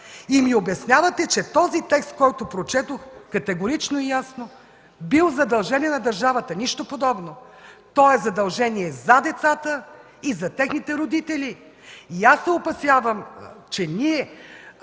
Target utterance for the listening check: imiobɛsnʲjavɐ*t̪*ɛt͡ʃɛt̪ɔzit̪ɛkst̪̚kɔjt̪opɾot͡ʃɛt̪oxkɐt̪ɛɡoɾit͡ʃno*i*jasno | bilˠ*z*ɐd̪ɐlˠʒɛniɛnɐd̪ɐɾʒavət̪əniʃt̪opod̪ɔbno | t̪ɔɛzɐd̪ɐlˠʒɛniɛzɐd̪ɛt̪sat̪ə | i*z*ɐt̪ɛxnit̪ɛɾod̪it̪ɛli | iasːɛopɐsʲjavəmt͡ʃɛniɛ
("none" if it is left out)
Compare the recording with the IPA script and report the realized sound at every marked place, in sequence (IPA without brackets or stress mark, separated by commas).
t̪, i, z, z